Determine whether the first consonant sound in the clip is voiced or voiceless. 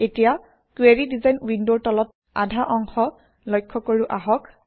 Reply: voiceless